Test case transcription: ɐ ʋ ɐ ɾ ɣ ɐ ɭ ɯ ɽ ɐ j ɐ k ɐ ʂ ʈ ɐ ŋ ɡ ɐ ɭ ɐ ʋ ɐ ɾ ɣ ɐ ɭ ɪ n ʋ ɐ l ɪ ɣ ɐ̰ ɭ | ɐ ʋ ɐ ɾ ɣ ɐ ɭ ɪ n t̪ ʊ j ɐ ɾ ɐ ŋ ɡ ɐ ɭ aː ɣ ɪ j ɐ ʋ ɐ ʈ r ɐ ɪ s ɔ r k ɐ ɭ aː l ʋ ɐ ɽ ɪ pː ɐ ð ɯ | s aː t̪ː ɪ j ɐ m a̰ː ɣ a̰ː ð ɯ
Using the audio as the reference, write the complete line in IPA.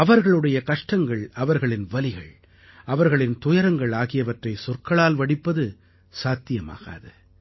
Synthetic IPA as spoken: ɐ ʋ ɐ ɾ ɣ ɐ ɭ ɯ ɽ ɐ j ɐ k ɐ ʂ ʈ ɐ ŋ ɡ ɐ ɭ ɐ ʋ ɐ ɾ ɣ ɐ ɭ ɪ n ʋ ɐ l ɪ ɣ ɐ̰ ɭ | ɐ ʋ ɐ ɾ ɣ ɐ ɭ ɪ n t̪ ʊ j ɐ ɾ ɐ ŋ ɡ ɐ ɭ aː ɣ ɪ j ɐ ʋ ɐ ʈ r ɐ ɪ s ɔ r k ɐ ɭ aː l ʋ ɐ ɽ ɪ pː ɐ ð ɯ | s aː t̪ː ɪ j ɐ m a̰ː ɣ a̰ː ð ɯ